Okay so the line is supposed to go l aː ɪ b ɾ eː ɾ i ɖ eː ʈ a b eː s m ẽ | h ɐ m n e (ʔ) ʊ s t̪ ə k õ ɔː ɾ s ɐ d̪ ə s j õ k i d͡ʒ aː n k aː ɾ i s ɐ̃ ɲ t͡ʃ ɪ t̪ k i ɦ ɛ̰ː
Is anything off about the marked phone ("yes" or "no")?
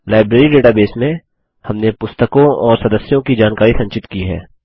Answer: yes